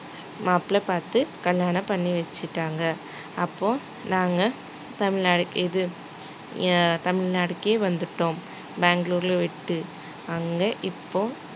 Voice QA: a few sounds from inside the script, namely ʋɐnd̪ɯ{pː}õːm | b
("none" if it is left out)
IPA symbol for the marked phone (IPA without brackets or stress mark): ʈː